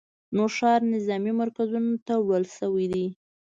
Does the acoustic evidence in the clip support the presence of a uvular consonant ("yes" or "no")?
no